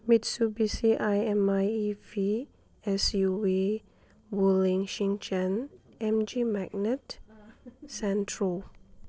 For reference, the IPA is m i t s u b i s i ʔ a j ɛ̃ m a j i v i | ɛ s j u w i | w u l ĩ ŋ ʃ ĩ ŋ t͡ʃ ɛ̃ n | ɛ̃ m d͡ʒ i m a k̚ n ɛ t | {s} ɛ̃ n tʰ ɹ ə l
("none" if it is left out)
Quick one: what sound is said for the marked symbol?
s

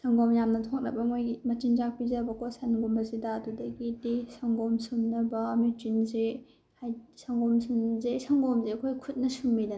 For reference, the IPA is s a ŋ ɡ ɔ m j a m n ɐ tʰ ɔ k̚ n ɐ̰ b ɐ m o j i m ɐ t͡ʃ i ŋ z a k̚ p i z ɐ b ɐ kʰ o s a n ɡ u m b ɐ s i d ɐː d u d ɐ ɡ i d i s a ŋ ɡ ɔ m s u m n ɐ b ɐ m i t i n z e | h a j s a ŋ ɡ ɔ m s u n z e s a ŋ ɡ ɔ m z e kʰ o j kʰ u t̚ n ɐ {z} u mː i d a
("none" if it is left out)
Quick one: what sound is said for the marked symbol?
s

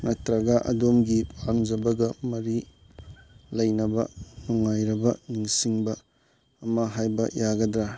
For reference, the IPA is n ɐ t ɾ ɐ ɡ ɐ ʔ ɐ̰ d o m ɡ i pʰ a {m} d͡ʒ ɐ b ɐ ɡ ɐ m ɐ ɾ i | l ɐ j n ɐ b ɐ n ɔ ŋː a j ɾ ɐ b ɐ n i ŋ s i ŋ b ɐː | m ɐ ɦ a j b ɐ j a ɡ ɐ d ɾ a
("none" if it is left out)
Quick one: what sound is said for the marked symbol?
ŋ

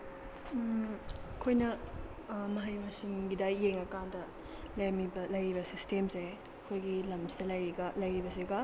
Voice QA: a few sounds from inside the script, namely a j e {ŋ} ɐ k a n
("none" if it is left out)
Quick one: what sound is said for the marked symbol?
ŋ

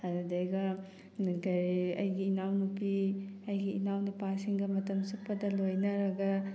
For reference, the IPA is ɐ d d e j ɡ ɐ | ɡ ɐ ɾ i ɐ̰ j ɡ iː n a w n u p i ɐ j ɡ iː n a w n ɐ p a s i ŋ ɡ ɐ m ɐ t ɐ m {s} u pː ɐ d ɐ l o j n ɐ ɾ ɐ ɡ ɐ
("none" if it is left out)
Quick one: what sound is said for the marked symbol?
s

